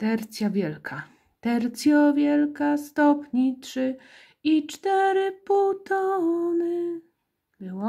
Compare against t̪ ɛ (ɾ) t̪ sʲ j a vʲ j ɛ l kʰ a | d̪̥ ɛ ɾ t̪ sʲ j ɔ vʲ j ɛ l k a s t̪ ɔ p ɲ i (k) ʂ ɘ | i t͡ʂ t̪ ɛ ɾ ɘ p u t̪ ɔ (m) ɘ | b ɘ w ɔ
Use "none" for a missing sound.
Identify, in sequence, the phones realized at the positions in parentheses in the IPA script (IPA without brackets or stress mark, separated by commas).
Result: ɾ, t, n